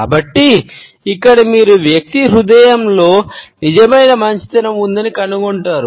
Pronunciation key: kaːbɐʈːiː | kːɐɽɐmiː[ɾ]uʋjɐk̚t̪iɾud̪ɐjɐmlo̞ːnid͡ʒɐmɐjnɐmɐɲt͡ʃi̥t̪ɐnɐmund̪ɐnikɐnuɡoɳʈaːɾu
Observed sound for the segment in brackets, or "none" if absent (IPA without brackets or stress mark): ɾ